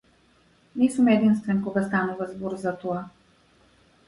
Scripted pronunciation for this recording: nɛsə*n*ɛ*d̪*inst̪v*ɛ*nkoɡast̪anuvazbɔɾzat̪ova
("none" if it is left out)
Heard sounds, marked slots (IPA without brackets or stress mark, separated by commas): m, d̪, ɛ